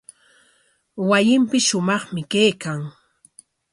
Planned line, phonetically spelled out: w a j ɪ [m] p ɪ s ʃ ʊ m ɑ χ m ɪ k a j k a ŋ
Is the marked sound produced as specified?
yes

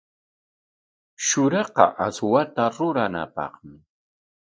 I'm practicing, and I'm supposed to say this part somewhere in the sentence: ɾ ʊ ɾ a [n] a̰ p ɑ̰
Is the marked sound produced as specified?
yes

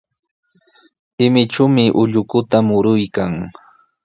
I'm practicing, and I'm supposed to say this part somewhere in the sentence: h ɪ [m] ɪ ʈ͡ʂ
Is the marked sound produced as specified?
yes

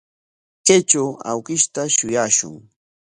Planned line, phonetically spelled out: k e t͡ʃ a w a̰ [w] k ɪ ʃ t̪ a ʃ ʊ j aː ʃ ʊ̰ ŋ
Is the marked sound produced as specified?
yes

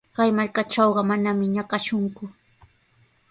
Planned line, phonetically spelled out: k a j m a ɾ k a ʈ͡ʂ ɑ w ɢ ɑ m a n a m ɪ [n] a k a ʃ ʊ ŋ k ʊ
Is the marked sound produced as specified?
no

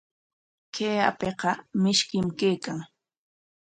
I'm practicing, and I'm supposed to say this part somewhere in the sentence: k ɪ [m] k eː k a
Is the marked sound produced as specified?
yes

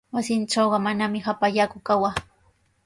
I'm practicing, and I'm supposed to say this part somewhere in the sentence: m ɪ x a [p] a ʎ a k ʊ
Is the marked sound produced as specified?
yes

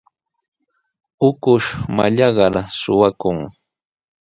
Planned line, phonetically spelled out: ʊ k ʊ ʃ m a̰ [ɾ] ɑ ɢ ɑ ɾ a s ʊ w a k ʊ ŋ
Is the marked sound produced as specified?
no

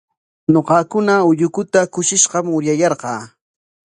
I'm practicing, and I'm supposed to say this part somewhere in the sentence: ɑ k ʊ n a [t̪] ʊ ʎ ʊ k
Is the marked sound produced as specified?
no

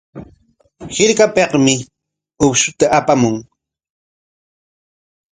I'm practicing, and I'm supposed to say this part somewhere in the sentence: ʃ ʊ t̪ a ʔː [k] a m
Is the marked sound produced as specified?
no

